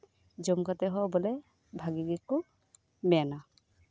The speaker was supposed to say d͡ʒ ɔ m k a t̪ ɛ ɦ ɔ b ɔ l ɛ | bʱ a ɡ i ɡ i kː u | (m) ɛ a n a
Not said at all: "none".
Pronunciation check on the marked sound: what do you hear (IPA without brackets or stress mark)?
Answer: m